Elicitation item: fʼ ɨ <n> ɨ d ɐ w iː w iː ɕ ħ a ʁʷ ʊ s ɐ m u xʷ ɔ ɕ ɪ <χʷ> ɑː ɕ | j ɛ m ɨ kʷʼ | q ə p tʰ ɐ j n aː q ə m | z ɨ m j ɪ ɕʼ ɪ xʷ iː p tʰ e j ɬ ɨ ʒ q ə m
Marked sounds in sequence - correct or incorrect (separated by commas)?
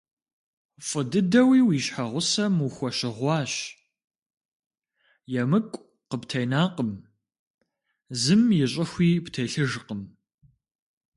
incorrect, incorrect